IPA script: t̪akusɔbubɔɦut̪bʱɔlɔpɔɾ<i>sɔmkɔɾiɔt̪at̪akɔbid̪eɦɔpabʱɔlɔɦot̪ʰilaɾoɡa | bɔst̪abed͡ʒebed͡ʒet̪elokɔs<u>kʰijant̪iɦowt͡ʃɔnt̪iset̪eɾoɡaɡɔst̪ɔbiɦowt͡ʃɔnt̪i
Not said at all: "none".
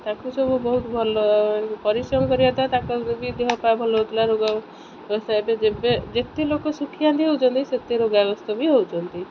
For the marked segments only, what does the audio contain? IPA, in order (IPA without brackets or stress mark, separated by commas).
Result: i, u